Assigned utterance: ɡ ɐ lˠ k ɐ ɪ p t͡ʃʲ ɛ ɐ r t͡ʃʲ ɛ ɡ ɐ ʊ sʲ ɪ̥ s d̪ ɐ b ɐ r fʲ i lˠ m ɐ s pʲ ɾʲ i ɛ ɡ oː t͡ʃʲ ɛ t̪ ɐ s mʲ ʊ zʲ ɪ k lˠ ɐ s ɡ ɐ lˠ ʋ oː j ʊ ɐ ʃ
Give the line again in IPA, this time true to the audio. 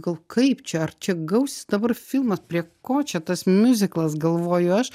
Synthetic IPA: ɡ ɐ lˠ k ɐ ɪ p t͡ʃʲ ɛ ɐ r t͡ʃʲ ɛ ɡ ɐ ʊ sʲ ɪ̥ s d̪ ɐ b ɐ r fʲ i lˠ m ɐ s pʲ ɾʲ i ɛ k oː t͡ʃʲ ɛ t̪ ɐ s mʲ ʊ zʲ ɪ k lˠ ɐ s ɡ ɐ lˠ ʋ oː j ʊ ɐ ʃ